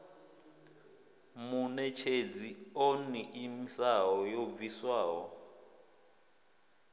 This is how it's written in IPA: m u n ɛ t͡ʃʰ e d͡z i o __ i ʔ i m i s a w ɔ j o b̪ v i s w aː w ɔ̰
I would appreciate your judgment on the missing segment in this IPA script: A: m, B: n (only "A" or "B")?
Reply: B